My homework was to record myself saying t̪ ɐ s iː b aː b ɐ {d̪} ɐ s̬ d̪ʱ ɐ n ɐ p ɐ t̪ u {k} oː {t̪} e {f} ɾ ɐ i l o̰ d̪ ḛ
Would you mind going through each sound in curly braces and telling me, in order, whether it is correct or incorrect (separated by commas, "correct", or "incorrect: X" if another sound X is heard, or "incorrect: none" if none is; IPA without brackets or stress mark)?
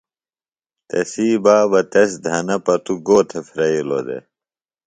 incorrect: t̪, incorrect: ɡ, incorrect: t̪ʰ, correct